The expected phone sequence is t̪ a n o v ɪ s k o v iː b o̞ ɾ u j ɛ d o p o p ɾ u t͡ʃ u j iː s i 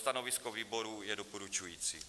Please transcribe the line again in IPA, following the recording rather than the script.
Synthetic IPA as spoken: t̪ a n o v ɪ s k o v iː b o̞ ɾ u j ɛ d o p o ɾ u t͡ʃ u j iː t͡s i